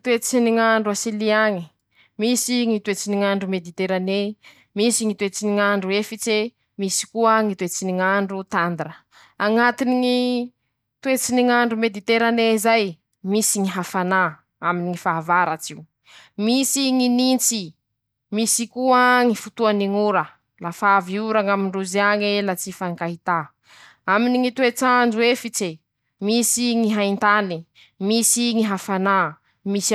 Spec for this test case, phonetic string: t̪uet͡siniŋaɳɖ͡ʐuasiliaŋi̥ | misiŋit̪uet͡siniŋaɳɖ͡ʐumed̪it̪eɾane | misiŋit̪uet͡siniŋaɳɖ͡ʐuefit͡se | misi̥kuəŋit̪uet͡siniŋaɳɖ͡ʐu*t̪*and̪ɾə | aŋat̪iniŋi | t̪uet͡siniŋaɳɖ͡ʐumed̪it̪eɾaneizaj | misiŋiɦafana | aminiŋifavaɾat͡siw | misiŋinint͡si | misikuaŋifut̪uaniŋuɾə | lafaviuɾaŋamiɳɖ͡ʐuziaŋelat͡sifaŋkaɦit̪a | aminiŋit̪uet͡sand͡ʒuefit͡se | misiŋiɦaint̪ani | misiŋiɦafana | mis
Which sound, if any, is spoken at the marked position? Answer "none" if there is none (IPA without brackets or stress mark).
t̪